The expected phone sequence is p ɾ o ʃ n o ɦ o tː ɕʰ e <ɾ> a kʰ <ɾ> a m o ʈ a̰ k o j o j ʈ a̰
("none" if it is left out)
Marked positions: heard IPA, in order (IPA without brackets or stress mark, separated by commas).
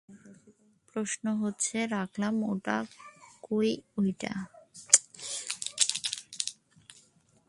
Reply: ɾ, l